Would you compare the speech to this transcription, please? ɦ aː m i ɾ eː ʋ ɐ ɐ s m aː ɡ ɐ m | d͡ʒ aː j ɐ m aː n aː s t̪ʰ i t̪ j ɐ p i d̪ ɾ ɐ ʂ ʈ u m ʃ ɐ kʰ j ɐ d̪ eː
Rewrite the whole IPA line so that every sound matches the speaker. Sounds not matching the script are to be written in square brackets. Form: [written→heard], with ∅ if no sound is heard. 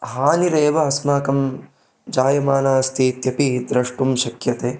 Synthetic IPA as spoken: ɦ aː [m→n] i ɾ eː ʋ ɐ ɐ s m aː [ɡ→k] ɐ m | d͡ʒ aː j ɐ m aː n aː s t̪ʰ i t̪ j ɐ p i d̪ ɾ ɐ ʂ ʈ u m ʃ ɐ [kʰ→k] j ɐ [d̪→t̪] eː